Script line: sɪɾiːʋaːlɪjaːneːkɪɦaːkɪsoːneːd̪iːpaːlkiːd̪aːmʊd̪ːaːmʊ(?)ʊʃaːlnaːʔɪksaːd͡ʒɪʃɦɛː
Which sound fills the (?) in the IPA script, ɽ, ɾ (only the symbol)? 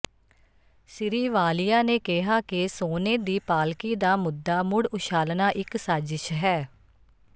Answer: ɽ